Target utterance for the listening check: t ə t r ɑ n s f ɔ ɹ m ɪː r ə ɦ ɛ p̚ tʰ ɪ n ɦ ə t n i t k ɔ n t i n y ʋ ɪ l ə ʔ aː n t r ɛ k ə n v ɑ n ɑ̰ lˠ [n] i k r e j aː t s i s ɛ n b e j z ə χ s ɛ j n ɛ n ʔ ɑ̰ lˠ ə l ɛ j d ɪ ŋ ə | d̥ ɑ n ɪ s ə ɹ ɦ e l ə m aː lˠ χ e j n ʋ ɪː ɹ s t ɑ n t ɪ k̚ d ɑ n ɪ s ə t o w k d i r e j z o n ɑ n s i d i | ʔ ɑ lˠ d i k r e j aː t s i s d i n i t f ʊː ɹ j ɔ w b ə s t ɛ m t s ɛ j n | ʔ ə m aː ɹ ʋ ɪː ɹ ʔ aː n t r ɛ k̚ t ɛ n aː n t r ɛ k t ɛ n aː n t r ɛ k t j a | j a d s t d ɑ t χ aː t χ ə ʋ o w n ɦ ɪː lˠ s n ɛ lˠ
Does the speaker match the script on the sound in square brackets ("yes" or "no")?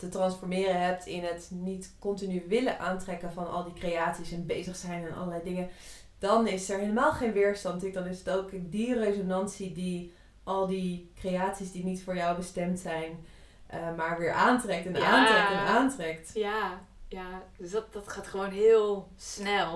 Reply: no